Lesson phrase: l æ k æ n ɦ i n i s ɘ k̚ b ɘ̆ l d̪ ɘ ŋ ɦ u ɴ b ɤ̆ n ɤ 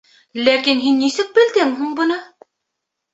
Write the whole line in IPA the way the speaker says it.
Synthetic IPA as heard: l æ k i n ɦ i nː i s ɘ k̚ b ɘ̆ l d̪ ɘ ŋ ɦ u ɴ b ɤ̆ n ɤ